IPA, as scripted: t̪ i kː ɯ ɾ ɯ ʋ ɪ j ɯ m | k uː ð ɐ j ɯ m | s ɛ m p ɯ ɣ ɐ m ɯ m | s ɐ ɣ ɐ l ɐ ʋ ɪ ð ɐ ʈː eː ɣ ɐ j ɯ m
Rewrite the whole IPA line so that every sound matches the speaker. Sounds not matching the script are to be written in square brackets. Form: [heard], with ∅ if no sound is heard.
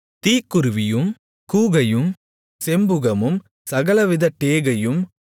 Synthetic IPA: t̪ [iː] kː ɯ ɾ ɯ ʋ ɪ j ɯ m | k uː [ɣ] ɐ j ɯ m | s ɛ m [b] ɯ ɣ ɐ m ɯ m | s ɐ ɣ ɐ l ɐ ʋ ɪ ð ɐ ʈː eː ɣ ɐ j ɯ m